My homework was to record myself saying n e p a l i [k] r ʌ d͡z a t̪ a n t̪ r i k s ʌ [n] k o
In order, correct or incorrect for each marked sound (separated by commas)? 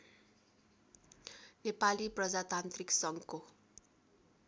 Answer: incorrect, incorrect